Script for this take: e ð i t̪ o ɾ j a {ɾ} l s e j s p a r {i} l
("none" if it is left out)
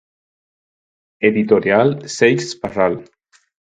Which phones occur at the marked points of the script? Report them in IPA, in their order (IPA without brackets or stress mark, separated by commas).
none, a